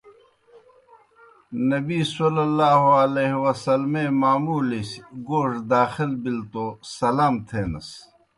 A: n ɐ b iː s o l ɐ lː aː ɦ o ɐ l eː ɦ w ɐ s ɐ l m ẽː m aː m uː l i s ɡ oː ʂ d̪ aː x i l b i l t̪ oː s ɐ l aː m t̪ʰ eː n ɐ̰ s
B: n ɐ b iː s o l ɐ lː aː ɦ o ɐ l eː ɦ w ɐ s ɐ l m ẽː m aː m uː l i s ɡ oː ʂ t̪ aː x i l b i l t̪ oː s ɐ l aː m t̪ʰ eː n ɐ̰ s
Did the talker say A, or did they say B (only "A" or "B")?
A